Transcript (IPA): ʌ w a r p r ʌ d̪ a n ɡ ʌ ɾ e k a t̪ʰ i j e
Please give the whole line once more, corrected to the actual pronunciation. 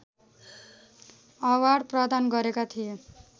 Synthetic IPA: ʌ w a ɽ p r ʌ d̪ a n ɡ ʌ ɾ e k a t̪ʰ i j e